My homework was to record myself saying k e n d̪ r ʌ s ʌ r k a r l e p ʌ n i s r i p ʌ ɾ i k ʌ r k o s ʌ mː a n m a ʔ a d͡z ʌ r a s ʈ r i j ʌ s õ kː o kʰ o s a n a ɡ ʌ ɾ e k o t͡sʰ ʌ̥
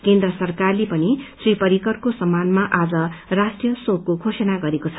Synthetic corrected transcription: k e n d̪ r ʌ s ʌ r k a r l e p ʌ n i s r i p ʌ ɾ i k ʌ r k o s ʌ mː a n m a ʔ a d͡z ʌ r a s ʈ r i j ʌ s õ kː o kʰ o s ʌ n a ɡ ʌ ɾ e k o t͡sʰ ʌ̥